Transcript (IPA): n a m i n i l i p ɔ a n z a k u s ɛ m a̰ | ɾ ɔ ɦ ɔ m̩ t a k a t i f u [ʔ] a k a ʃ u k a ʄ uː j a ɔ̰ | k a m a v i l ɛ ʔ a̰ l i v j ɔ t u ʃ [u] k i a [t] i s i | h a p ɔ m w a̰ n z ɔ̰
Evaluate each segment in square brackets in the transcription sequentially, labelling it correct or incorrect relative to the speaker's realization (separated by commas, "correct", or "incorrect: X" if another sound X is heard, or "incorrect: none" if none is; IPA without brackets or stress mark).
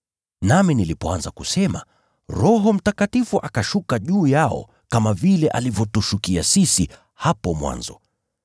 correct, correct, incorrect: s